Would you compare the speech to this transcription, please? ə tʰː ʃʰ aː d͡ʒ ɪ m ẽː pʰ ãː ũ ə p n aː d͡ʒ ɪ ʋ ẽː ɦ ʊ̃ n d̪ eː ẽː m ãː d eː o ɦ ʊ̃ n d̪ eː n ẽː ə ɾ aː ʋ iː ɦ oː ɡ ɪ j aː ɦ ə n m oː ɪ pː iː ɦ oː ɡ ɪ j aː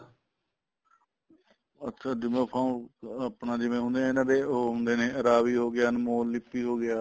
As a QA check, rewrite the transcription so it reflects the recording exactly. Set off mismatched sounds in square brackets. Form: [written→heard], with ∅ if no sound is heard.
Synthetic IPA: ə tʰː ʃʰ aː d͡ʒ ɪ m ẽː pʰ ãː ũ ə p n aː d͡ʒ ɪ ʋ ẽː ɦ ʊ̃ n d̪ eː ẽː [m→n] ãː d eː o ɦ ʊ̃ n d̪ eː n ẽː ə ɾ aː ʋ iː ɦ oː ɡ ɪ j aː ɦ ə n m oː ɪ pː iː ɦ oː ɡ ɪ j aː